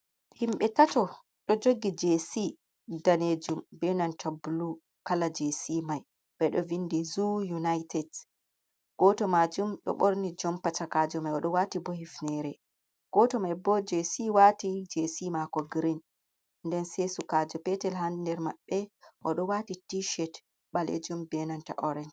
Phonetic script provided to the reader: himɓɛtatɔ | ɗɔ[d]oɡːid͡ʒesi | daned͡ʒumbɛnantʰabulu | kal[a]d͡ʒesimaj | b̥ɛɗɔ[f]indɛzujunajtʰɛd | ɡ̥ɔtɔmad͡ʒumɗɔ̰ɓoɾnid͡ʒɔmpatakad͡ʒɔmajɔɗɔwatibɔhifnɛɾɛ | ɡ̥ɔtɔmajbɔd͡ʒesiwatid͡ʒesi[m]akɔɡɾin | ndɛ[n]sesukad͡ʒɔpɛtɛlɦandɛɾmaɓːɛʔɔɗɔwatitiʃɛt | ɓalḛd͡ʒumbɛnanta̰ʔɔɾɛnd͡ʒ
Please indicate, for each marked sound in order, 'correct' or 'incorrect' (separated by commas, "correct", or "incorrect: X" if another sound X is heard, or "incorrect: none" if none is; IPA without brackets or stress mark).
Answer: incorrect: d͡ʒ, correct, incorrect: v, correct, correct